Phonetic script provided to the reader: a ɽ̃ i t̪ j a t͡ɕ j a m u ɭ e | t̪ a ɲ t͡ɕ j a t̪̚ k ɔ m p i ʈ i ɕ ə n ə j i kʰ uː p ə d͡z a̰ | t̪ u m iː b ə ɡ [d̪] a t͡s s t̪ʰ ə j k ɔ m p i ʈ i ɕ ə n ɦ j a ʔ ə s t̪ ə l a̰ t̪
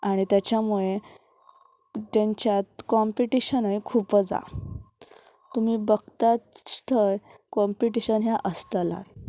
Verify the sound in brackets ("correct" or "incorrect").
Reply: incorrect